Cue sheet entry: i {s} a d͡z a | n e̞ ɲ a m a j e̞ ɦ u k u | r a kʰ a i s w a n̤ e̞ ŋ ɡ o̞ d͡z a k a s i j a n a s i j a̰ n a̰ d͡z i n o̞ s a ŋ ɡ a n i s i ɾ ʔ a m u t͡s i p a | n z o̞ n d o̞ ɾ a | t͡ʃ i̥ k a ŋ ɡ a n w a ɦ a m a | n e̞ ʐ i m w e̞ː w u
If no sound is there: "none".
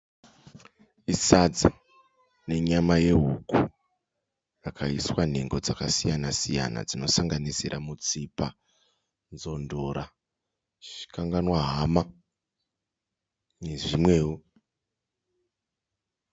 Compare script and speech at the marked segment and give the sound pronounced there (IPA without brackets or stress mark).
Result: s